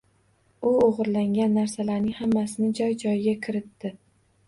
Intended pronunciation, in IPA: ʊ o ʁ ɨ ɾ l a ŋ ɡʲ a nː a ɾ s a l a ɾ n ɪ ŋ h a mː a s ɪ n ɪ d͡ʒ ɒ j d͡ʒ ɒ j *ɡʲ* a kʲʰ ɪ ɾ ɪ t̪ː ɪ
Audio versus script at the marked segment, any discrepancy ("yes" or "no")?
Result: no